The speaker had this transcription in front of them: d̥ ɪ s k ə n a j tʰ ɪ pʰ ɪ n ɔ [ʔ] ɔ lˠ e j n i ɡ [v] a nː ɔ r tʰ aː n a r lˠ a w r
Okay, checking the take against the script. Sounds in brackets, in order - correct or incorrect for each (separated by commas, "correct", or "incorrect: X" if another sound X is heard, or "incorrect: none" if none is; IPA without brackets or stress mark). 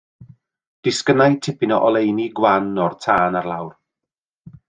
correct, incorrect: w